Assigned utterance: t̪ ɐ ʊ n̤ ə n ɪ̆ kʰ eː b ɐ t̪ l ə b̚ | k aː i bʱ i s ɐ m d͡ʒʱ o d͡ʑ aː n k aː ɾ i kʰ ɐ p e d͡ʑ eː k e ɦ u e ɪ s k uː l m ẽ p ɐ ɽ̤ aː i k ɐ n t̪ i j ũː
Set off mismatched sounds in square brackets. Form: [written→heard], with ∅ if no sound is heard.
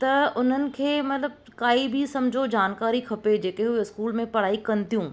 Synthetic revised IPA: t̪ ɐ ʊ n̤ ə n ɪ̆ kʰ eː [b→m] ɐ t̪ l ə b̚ | k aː i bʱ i s ɐ m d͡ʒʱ o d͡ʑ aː n k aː ɾ i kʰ ɐ p e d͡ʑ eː k e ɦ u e ɪ s k uː l m ẽ p ɐ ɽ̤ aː i k ɐ n t̪ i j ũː